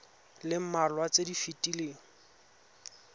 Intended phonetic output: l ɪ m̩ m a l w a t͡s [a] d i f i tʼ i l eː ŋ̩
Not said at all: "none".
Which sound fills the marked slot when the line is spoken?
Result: e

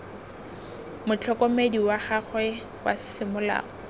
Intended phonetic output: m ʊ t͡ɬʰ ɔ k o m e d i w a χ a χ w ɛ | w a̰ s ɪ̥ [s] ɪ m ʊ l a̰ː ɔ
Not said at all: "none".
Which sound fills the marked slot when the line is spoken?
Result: s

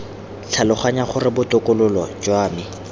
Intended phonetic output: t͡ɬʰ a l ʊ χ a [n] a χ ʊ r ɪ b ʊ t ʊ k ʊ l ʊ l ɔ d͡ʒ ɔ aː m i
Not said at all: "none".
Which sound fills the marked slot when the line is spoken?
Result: ɲ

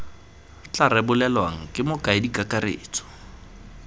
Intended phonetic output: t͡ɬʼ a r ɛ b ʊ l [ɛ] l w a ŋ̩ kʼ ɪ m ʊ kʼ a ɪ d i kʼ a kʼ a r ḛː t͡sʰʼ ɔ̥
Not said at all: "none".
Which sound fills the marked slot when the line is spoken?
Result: ɛ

